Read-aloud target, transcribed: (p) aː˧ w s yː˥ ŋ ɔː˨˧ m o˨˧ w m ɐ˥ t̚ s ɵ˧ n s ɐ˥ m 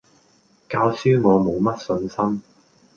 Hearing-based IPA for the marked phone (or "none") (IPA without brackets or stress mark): k